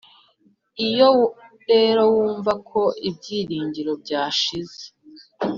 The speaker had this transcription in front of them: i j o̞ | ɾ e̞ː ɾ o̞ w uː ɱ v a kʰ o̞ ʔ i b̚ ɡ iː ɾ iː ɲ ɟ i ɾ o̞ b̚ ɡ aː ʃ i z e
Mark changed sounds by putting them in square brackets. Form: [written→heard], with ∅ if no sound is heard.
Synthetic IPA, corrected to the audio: i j o̞ | ɾ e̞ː ɾ o̞ w uː ɱ v a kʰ o̞ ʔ i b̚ [ɡ→ɟ] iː ɾ iː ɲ ɟ i ɾ o̞ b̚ [ɡ→ɟ] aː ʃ i z e